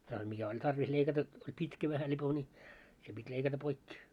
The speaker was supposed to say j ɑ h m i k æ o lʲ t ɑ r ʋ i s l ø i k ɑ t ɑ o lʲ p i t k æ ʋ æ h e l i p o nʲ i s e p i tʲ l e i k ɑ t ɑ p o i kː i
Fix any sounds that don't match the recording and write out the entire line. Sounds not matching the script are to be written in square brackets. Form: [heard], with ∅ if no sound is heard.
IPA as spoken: j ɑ h m i k æ o lʲ t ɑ r ʋ i s l [e] i k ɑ t ɑ o lʲ p i t k æ ʋ æ h [æ] l i p o nʲ i s e p i tʲ l e i k ɑ t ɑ p o i kː i